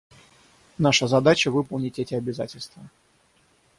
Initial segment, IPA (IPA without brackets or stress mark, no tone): n